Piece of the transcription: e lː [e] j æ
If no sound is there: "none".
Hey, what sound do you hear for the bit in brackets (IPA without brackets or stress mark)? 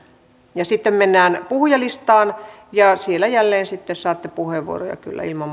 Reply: æ